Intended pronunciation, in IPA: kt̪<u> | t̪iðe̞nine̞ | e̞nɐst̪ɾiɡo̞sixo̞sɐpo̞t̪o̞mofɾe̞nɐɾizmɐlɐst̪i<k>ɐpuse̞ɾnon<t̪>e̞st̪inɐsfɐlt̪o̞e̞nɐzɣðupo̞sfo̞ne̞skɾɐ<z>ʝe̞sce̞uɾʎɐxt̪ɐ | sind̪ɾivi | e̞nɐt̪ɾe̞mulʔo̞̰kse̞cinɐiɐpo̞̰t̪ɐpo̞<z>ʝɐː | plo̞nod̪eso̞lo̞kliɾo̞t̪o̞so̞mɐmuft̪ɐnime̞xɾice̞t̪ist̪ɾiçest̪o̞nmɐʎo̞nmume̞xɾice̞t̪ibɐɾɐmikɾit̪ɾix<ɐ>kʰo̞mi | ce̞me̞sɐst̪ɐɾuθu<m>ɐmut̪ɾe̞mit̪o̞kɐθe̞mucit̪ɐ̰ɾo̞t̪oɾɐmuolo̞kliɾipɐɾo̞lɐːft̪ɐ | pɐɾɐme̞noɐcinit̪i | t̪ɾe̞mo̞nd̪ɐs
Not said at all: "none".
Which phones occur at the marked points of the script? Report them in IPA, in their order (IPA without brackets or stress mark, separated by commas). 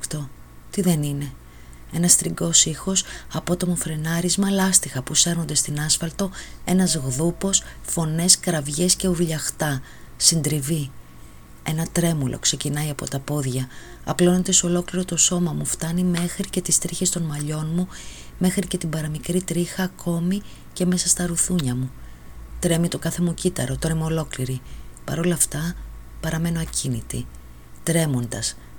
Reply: o, x, d̪, v, ð, ɐː, ɲ